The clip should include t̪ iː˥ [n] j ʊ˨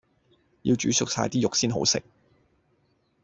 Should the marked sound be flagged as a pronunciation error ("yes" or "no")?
yes